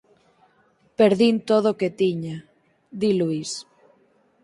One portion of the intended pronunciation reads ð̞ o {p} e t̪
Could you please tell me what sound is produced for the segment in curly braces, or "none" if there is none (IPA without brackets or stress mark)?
k